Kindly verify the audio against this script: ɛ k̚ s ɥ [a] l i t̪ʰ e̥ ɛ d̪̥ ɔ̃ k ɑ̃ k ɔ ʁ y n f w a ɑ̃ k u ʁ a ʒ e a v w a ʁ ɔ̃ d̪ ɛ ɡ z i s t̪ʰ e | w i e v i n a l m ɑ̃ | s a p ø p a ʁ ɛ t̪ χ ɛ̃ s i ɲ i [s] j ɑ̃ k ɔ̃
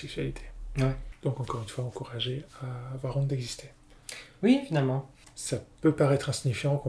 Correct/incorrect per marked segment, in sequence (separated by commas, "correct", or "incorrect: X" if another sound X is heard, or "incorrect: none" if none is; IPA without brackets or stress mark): correct, incorrect: f